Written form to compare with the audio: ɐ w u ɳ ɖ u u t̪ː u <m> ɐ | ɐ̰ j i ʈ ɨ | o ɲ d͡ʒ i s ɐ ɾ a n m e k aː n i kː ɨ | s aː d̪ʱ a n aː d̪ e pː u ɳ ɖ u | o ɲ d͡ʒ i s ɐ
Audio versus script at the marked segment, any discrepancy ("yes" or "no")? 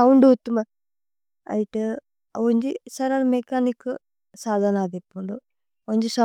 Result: no